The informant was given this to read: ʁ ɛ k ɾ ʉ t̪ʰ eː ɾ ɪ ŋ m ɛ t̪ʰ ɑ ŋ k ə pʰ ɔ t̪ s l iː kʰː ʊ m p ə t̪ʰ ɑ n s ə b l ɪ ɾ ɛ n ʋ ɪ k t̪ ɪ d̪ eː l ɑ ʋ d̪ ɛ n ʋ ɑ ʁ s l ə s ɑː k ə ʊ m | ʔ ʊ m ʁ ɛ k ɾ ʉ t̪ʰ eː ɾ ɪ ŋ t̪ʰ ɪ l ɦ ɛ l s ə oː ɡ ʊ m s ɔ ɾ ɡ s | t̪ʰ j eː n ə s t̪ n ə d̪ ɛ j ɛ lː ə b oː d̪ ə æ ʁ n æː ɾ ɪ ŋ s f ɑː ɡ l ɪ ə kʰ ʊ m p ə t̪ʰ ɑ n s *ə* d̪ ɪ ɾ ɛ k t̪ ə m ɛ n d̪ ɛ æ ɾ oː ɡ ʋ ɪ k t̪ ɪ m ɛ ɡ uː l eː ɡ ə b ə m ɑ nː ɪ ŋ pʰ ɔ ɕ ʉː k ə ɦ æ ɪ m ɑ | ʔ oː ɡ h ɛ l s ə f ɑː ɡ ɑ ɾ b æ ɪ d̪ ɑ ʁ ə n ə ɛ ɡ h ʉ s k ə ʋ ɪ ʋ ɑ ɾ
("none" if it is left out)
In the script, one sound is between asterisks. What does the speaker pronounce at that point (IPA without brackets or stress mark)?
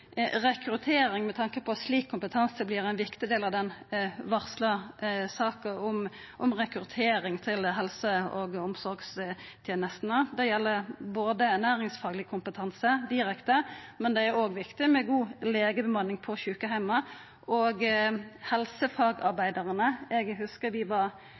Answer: ə